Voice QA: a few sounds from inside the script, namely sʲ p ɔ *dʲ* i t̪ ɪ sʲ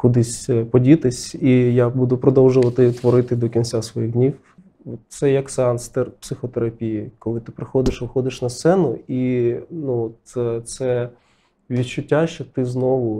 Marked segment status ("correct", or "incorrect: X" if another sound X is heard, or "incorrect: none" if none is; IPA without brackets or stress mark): correct